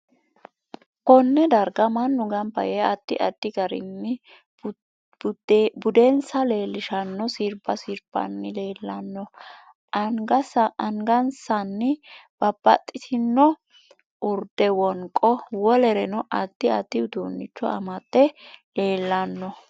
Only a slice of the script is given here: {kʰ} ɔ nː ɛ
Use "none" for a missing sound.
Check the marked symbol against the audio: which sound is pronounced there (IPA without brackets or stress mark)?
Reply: k